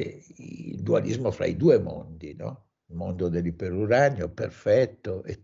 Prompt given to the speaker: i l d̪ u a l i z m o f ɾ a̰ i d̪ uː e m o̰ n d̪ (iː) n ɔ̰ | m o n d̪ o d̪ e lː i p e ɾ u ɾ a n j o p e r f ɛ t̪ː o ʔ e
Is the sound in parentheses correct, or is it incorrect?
incorrect: i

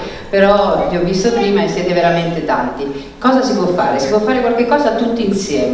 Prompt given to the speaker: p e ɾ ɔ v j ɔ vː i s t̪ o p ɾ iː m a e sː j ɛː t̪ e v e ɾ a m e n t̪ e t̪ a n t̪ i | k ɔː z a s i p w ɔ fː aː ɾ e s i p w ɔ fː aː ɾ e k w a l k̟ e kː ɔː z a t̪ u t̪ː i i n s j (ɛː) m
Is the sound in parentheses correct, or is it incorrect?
correct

